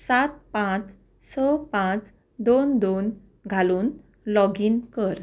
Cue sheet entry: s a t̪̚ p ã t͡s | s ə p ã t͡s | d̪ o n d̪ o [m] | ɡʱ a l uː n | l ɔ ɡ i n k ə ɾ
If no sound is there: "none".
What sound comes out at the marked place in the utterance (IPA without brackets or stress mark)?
n